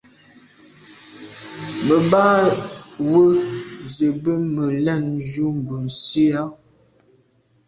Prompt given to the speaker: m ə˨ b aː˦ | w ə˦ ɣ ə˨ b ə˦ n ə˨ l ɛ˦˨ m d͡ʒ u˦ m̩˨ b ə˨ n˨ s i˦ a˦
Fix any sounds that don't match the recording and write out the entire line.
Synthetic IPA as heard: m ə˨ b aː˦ | w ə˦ z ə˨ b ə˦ m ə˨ l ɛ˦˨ n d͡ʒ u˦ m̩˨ b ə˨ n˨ s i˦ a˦